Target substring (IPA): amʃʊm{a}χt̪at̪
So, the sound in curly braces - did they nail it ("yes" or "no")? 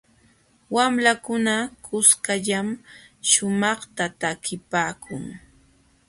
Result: no